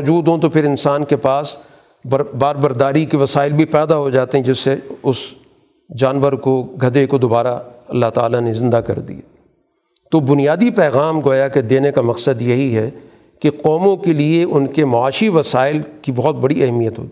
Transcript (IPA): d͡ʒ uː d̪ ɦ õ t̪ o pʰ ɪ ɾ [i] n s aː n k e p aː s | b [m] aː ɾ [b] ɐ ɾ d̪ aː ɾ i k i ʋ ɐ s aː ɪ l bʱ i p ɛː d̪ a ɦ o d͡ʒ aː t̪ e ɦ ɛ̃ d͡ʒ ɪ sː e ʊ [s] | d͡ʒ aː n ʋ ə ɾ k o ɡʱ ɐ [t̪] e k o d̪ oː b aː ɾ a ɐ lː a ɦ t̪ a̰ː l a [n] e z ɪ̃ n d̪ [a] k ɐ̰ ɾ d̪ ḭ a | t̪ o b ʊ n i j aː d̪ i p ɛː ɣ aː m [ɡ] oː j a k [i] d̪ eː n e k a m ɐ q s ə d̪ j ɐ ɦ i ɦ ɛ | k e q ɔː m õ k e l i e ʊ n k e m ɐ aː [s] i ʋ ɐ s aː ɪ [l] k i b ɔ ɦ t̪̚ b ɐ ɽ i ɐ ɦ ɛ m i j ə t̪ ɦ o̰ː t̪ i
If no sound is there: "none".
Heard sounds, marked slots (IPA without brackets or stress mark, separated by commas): ɪ, b, b, s, d̪, n, a, ɡ, e, ʃ, l